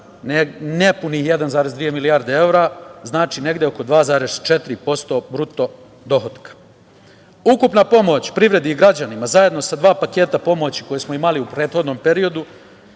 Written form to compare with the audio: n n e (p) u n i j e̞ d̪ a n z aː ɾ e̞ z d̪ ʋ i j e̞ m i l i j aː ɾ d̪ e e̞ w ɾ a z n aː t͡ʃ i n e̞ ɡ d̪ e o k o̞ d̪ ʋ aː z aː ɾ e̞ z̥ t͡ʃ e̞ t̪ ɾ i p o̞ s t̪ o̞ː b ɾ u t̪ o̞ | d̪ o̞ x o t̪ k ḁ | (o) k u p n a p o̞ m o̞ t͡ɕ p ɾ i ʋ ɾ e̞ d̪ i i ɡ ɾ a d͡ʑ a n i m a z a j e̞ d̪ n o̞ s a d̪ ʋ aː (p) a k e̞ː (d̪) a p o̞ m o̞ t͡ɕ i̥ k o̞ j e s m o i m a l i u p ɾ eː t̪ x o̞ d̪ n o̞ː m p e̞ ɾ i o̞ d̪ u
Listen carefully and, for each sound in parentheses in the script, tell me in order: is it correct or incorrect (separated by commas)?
correct, incorrect, correct, incorrect